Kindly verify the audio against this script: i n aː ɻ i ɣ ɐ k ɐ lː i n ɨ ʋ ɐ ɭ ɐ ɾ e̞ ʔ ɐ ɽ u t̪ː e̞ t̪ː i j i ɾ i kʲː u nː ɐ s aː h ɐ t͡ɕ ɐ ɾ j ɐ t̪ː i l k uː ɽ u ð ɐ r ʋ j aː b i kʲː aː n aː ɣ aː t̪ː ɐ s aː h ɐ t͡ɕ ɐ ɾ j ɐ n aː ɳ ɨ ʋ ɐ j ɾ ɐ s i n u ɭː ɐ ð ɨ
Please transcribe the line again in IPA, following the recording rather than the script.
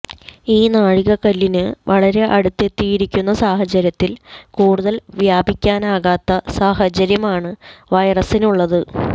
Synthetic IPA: iː n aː ɻ i ɣ ɐ k ɐ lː i n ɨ ʋ ɐ ɭ ɐ ɾ e̞ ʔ ɐ ɽ u t̪ː e̞ t̪ː i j i ɾ i kʲː u nː ɐ s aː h ɐ t͡ɕ ɐ ɾ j ɐ t̪ː i l k uː ɽ u ð ɐ l ʋ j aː b i kʲː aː n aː ɣ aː t̪ː ɐ s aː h ɐ t͡ɕ ɐ ɾ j ɐ m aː ɳ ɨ ʋ ɐ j r ɐ s i n u ɭː ɐ ð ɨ

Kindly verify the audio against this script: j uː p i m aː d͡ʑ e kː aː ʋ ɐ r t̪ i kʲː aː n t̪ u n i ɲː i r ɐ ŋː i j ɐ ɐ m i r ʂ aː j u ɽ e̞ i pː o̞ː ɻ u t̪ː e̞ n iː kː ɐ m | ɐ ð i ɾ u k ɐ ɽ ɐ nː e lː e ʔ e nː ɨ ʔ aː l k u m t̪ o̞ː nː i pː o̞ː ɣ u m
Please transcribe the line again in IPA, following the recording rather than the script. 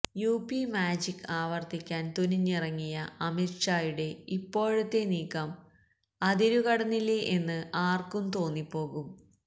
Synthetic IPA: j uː p i m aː d͡ʑ i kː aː ʋ ɐ r t̪ i kʲː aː n t̪ u n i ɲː i r ɐ ŋː i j ɐ ɐ m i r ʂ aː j u ɽ e̞ i pː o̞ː ɻ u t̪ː e̞ n iː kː ɐ m | ɐ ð i ɾ u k ɐ ɽ ɐ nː i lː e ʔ e nː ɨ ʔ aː r k u m t̪ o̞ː nː i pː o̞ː ɣ u m

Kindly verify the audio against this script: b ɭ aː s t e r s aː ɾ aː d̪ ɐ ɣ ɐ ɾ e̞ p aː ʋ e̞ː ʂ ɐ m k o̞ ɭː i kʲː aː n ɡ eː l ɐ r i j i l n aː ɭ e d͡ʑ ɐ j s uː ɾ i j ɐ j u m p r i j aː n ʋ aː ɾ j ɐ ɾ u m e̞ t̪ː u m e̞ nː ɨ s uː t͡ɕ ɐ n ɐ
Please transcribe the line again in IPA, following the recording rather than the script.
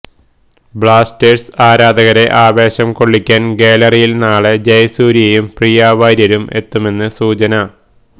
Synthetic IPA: b ɭ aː s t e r s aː ɾ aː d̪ ɐ ɣ ɐ ɾ e̞ ʔ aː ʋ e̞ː ɕ ɐ m k o̞ ɭː i kʲː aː n ɡ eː l ɐ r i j i l n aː ɭ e d͡ʑ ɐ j s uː ɾ i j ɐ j u m p r i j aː ʋ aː ɾ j ɐ ɾ u m e̞ t̪ː u m e̞ nː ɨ s uː t͡ɕ ɐ n ɐ

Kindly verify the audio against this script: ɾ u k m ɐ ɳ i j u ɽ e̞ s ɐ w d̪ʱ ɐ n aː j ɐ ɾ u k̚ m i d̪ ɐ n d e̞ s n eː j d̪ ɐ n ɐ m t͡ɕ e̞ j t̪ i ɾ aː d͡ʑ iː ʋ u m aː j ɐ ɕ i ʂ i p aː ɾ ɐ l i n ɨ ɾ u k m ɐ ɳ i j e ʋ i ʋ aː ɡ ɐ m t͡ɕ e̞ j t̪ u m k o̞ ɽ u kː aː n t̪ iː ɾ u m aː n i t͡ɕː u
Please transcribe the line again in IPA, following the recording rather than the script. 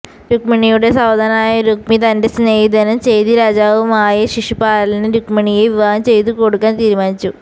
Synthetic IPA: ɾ u k m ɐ ɳ i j u ɽ e̞ s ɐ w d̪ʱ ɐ n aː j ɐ ɾ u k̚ m i t̪ ɐ n d e̞ s n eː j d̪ ɐ n ɐ m t͡ɕ e̞ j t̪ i ɾ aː d͡ʑ aː ʋ u m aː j ɐ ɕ i ʂ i p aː ɾ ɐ l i n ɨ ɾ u k m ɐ ɳ i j e ʋ i ʋ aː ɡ ɐ m t͡ɕ e̞ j t̪ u k o̞ ɽ u kː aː n t̪ iː ɾ u m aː n i t͡ɕː u

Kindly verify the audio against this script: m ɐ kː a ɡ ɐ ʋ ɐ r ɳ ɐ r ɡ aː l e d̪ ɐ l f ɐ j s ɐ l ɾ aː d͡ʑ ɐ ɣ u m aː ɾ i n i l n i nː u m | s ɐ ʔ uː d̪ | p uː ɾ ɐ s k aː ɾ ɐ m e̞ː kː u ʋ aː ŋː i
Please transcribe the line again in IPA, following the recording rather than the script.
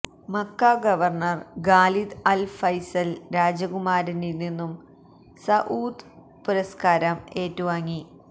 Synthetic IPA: m ɐ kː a ɡ ɐ ʋ ɐ r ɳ ɐ r ɡ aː l i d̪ ɐ l f ɐ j s ɐ l ɾ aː d͡ʑ ɐ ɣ u m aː ɾ i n i l n i nː u m | s ɐ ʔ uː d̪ | p u ɾ ɐ s k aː ɾ ɐ m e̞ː tː u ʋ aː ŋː i

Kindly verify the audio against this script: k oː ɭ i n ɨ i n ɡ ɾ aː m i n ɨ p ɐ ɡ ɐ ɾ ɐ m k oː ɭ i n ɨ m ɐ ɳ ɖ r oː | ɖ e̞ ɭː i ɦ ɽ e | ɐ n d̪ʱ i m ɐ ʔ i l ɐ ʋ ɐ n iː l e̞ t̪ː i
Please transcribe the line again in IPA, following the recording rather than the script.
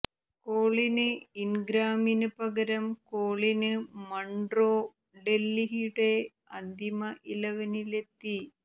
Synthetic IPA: k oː ɭ i n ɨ i n ɡ ɾ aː m i n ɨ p ɐ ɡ ɐ ɾ ɐ m k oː ɭ i n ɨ m ɐ ɳ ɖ r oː | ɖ e̞ lː i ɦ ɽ e | ɐ n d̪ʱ i m ɐ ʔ i l ɐ ʋ ɐ n i l e̞ t̪ː i

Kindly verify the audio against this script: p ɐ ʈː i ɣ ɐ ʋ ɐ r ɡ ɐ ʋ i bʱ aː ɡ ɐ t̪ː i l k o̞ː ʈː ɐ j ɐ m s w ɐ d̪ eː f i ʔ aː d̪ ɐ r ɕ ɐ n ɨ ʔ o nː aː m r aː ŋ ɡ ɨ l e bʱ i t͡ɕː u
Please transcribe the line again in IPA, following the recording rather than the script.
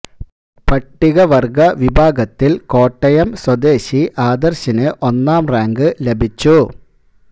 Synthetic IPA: p ɐ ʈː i ɣ ɐ ʋ ɐ r ɡ ɐ ʋ i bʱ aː ɡ ɐ t̪ː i l k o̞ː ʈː ɐ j ɐ m s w ɐ d̪ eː ɕ i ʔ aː d̪ ɐ r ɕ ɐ n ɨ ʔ o nː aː m r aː ŋ ɡ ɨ l e bʱ i t͡ɕː u

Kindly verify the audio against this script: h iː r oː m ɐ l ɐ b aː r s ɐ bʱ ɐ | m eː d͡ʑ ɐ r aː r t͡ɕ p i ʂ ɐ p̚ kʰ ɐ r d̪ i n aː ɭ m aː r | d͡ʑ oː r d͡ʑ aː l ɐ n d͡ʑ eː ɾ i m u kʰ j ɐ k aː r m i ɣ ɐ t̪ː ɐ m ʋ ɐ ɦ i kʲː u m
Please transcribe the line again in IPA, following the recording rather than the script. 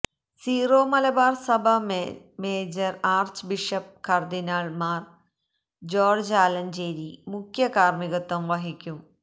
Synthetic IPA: s iː r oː m ɐ l ɐ b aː r s ɐ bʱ ɐ | m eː d͡ʑ ɐ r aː r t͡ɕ b i ʂ ɐ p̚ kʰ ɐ r d̪ i n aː ɭ m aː r | d͡ʑ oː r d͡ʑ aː l ɐ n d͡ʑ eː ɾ i m u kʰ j ɐ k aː r m i ɣ ɐ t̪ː ɐ m ʋ ɐ ɦ i kʲː u m

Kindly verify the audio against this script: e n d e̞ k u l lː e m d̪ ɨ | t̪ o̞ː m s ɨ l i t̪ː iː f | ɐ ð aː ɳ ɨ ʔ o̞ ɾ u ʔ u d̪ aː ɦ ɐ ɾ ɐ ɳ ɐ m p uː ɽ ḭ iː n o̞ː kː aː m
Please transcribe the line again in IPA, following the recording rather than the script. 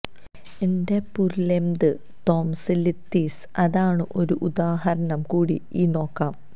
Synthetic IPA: e n d e̞ p u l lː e m d̪ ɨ | t̪ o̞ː m s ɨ l i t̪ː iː s | ɐ ð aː ɳ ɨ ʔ o̞ ɾ u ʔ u d̪ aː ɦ ɐ ɾ ɐ ɳ ɐ m k uː ɽ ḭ iː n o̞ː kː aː m

